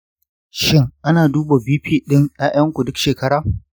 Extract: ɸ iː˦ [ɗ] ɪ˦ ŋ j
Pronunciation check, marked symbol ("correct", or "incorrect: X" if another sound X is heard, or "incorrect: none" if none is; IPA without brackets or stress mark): correct